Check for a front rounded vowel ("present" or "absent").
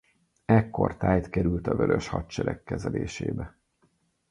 present